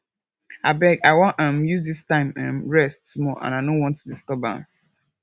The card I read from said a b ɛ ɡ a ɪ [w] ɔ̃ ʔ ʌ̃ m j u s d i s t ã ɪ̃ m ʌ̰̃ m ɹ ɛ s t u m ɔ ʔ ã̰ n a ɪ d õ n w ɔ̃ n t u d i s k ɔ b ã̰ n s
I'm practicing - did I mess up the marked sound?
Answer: no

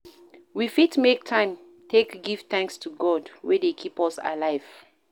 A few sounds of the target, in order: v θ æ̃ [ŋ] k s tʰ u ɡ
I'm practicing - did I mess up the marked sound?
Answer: no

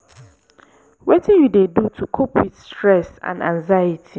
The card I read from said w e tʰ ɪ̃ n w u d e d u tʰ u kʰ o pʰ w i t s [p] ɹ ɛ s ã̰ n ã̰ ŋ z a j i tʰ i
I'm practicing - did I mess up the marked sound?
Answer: yes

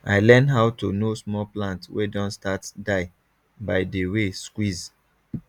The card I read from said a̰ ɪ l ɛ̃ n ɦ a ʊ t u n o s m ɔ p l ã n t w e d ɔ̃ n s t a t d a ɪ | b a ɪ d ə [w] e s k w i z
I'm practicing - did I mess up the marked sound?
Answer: no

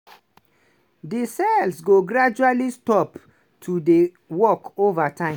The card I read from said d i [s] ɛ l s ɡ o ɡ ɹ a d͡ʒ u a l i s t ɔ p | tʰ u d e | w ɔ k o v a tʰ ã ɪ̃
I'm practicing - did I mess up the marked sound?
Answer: no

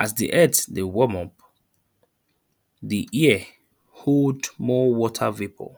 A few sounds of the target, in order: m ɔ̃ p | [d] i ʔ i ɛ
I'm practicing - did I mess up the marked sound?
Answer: no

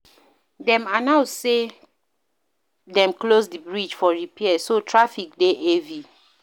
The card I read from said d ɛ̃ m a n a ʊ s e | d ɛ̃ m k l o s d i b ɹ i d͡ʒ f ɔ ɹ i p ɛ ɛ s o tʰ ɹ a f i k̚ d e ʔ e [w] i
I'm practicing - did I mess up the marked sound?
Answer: yes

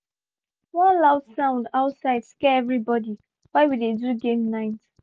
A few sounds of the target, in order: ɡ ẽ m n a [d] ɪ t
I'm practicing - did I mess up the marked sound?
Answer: yes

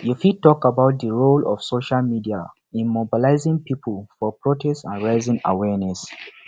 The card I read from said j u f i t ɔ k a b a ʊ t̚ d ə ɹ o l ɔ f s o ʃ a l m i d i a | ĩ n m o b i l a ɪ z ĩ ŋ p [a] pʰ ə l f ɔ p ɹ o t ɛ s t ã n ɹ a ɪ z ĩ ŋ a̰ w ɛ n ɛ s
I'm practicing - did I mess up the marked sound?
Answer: yes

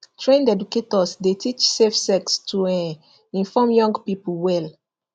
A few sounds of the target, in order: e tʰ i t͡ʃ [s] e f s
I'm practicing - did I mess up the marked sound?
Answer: no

